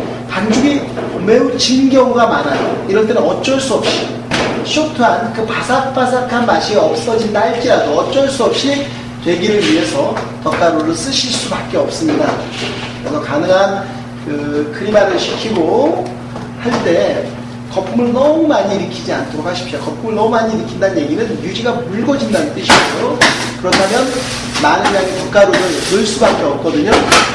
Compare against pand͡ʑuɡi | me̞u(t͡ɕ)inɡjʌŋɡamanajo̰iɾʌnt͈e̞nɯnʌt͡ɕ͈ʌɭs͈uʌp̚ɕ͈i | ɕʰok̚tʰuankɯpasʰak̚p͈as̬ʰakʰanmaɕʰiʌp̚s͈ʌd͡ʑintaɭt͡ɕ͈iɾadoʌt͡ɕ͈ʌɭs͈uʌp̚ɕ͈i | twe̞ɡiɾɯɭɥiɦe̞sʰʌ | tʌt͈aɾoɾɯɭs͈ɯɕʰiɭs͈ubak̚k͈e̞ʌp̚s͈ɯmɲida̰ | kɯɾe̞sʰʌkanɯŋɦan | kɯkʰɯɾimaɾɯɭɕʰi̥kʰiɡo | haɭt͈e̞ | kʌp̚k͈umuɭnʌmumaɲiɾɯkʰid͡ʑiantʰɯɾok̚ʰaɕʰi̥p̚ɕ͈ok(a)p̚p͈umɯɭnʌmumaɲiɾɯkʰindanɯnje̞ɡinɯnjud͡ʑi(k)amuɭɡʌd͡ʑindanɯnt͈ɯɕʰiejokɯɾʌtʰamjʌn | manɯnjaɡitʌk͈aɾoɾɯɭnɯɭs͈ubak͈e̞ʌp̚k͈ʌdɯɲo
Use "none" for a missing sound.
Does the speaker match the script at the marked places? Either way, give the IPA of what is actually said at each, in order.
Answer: t͡ɕ, ʌ, ɡ

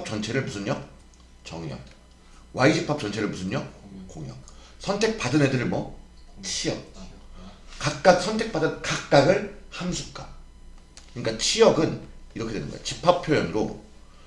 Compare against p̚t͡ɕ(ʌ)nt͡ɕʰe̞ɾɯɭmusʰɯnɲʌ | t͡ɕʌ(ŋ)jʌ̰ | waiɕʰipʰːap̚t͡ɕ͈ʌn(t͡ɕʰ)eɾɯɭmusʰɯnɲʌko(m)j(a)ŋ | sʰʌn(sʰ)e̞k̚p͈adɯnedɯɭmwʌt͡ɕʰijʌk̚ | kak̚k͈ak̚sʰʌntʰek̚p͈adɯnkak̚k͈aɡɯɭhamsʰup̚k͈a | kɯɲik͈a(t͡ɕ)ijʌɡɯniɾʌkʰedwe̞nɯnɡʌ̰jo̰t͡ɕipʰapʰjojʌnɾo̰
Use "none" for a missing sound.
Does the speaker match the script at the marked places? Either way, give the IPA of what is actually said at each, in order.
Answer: ʌ, ŋ, t͡ɕʰ, ŋ, ʌ, tʰ, t͡ɕʰ

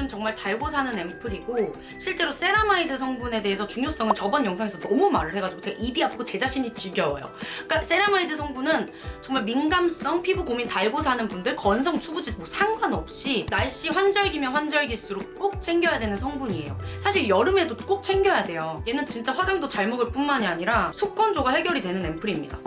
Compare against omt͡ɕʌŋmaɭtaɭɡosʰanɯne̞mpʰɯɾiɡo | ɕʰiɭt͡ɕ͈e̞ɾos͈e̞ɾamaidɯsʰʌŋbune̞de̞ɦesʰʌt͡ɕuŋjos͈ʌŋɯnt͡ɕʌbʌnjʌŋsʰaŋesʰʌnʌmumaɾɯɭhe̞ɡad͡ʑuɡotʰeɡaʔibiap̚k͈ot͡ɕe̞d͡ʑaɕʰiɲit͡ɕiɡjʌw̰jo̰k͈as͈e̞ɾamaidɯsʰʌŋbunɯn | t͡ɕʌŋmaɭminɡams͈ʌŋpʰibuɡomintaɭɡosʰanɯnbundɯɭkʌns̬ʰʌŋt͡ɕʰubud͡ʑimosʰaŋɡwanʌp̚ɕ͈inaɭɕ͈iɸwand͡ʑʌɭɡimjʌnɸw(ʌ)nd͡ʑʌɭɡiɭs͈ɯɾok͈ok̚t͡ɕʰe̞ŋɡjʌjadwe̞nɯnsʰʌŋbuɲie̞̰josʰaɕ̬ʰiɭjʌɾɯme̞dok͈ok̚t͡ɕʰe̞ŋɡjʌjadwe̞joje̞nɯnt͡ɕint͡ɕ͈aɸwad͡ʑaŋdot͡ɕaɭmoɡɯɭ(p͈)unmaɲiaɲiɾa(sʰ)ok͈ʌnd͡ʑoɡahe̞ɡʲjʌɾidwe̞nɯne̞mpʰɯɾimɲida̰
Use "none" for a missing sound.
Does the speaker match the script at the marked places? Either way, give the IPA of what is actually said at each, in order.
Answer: a, p͈, sʰ

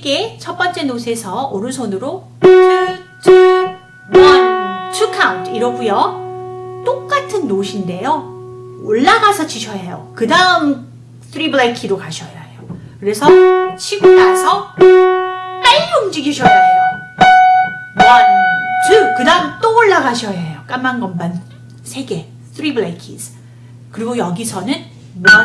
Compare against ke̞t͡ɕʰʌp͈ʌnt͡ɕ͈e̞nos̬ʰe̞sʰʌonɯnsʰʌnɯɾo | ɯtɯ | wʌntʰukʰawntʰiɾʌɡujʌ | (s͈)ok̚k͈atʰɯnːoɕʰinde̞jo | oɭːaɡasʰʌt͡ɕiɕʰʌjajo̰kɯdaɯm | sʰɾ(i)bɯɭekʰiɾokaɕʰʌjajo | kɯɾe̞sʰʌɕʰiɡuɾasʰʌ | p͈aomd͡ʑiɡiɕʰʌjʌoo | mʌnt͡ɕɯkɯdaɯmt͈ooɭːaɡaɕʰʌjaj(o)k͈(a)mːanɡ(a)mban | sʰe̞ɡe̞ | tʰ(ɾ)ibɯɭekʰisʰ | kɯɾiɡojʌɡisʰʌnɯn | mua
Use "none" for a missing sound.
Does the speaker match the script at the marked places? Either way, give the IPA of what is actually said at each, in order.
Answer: t͈, i, o, a, ʌ, ɾ

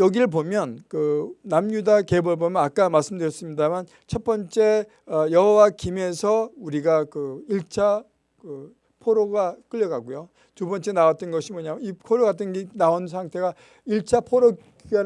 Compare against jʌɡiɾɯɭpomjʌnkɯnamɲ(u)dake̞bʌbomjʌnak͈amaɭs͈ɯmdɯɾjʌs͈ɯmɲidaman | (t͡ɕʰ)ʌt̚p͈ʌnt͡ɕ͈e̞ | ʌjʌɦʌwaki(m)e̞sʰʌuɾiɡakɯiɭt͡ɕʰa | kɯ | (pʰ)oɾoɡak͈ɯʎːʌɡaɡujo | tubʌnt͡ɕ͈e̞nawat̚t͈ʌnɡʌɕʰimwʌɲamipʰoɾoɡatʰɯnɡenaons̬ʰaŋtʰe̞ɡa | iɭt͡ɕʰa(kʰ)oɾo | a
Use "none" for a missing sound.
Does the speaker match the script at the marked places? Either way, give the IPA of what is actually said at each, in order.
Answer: u, t͡ɕʰ, m, pʰ, pʰ

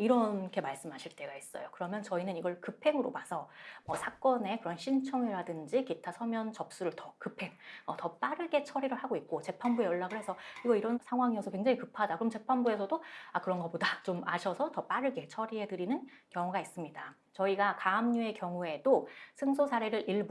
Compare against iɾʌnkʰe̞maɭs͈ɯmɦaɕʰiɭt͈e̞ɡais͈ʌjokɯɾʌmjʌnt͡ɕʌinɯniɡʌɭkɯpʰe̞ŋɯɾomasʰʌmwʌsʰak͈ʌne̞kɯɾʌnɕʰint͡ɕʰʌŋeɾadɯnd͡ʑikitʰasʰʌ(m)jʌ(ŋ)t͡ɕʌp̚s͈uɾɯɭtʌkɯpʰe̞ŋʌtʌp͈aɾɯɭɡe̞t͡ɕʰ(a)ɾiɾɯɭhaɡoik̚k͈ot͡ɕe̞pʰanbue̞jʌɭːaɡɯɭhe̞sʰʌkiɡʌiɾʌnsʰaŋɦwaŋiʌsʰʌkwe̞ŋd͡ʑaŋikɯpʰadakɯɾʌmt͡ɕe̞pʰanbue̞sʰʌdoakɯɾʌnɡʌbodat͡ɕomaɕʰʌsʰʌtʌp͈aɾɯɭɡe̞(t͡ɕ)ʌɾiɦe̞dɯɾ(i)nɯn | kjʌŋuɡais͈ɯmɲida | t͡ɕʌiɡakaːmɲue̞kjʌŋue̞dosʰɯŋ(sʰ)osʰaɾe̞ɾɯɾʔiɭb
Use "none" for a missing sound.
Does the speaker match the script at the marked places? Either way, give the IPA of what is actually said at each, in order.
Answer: m, n, ʌ, t͡ɕʰ, i, sʰ

